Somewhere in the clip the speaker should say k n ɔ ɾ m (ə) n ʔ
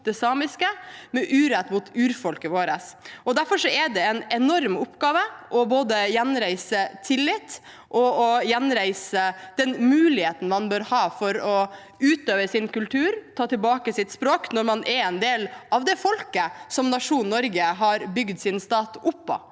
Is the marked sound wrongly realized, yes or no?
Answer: yes